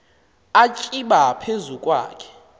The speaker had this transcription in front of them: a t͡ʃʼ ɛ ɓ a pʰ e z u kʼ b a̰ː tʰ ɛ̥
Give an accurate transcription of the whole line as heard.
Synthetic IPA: a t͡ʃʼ i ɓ a pʰ e z u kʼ w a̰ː kʰ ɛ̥